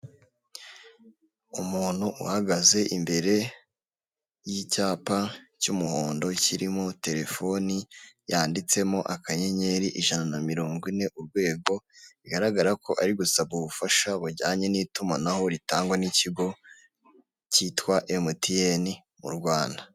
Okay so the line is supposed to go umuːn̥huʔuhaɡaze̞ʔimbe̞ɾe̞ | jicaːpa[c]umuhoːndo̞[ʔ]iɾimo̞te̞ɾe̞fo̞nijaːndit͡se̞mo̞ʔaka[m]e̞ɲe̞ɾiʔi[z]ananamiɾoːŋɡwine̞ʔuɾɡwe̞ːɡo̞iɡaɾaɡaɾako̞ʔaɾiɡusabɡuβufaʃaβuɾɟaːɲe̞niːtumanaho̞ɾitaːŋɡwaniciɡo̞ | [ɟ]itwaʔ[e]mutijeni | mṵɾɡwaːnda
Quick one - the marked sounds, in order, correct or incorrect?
correct, incorrect: c, incorrect: ɲ, incorrect: ʒ, incorrect: c, correct

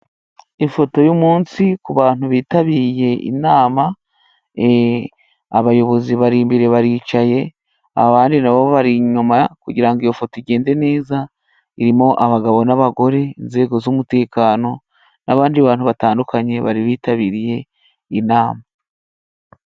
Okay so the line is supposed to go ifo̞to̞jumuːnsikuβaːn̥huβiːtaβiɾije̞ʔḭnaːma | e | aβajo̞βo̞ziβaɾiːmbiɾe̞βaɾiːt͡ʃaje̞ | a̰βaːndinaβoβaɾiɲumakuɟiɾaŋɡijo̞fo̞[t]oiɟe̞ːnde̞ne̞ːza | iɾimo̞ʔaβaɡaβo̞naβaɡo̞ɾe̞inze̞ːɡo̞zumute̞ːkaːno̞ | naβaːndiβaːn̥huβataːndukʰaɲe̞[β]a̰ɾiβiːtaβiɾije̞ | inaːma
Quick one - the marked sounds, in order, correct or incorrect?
correct, correct

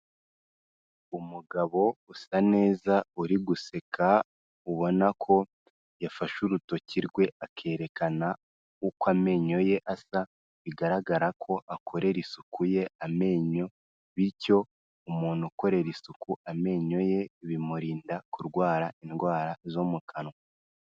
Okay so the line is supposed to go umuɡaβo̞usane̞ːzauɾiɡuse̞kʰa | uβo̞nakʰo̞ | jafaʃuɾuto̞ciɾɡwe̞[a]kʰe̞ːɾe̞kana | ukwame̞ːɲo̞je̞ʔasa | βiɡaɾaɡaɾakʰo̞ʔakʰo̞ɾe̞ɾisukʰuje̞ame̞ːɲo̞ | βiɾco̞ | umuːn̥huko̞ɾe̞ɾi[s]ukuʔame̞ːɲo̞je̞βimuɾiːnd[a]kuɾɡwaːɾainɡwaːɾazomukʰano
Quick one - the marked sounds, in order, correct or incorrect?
correct, correct, correct

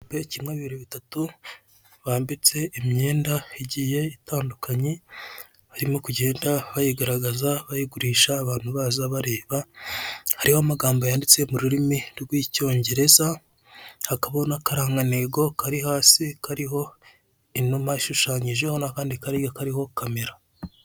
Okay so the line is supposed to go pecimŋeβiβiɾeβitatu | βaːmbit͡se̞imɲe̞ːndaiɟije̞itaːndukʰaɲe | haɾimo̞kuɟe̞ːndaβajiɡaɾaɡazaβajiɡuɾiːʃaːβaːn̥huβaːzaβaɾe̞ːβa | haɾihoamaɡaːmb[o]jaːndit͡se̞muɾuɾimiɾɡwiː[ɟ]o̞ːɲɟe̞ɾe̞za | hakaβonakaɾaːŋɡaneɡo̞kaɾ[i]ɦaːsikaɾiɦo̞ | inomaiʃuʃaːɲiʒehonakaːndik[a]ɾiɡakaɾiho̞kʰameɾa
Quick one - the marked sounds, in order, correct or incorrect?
correct, incorrect: c, correct, correct

